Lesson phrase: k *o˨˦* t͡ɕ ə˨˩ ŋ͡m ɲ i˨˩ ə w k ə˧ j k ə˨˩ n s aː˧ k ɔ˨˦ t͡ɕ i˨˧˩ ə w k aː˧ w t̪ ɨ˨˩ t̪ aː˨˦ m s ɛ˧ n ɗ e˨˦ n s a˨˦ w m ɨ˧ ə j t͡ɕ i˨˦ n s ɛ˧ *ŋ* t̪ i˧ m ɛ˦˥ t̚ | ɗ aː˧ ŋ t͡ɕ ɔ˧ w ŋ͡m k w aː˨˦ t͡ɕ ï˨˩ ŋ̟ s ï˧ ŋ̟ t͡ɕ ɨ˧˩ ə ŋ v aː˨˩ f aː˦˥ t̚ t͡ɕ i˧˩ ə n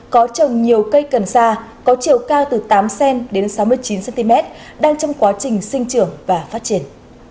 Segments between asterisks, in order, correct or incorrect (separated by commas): incorrect, incorrect